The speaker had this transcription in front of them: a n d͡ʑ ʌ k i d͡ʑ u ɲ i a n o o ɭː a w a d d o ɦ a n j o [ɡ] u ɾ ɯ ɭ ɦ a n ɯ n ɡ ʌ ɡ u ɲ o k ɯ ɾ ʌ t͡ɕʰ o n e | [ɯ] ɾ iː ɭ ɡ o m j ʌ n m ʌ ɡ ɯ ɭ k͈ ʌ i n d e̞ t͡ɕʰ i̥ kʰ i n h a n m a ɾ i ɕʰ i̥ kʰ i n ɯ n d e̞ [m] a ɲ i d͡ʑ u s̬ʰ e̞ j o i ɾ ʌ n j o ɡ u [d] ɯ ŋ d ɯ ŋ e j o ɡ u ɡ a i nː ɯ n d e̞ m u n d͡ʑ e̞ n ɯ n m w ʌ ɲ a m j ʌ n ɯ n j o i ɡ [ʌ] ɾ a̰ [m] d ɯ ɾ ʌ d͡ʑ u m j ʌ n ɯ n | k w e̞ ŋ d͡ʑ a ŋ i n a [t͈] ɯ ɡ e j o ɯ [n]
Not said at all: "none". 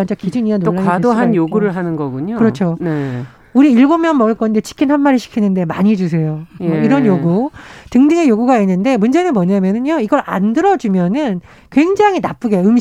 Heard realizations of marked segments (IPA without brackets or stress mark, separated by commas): ɡ, u, m, t, ʌ, n, p͈, m